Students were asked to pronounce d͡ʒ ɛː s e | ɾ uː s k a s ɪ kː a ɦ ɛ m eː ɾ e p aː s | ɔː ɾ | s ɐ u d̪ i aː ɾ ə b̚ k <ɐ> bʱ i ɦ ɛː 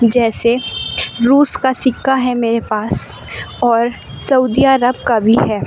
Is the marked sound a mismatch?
yes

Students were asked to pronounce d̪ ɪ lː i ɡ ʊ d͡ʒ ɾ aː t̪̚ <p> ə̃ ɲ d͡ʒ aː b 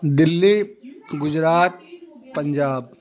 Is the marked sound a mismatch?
no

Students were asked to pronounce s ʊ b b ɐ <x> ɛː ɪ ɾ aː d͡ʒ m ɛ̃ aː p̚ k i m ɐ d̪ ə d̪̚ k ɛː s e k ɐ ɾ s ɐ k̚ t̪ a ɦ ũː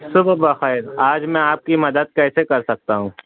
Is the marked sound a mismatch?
no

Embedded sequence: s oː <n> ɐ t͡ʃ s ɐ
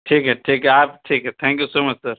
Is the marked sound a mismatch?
yes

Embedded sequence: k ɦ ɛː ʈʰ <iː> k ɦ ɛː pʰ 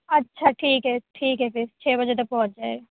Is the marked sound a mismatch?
no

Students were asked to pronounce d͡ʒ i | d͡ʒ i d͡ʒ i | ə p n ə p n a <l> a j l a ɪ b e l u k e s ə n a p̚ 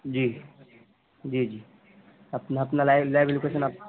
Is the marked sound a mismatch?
no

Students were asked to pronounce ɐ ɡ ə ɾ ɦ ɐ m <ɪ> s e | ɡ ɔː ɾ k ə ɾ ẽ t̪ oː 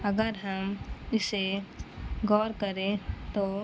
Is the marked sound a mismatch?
no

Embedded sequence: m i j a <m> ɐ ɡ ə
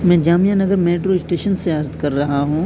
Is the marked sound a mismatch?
yes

